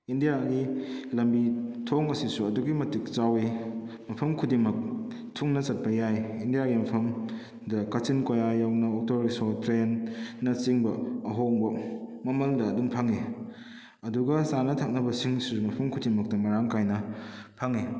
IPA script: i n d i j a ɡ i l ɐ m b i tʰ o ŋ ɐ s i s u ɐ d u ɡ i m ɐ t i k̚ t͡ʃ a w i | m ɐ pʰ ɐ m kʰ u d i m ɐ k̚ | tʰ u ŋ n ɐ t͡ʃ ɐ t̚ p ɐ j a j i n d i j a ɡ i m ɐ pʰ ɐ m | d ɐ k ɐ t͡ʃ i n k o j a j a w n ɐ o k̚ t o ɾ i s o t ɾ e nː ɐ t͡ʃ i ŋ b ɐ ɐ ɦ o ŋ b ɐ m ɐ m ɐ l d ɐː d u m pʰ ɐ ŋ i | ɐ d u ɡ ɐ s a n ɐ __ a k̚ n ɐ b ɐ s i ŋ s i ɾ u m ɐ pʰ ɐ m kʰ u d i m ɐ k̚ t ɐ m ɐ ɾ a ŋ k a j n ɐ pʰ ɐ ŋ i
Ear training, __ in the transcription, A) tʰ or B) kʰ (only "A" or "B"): A